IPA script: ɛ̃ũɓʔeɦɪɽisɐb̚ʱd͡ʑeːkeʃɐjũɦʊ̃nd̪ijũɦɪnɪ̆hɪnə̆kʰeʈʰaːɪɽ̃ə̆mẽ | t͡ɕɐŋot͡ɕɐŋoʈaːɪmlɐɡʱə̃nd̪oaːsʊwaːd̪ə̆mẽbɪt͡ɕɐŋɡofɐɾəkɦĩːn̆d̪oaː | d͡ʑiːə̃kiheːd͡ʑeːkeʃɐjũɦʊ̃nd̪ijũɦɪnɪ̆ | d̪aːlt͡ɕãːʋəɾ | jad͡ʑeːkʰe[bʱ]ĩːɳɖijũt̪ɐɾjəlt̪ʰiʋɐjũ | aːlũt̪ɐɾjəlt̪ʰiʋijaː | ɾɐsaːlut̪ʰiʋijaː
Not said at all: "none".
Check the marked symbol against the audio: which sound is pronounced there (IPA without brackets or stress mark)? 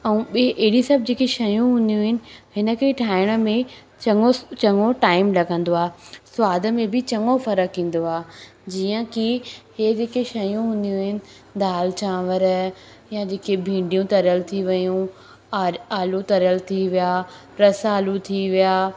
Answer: bʱ